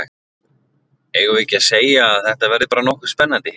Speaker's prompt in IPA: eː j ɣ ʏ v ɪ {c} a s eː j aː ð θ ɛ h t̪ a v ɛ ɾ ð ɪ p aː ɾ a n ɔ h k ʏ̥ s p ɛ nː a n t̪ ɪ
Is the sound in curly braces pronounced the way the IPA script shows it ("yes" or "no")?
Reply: yes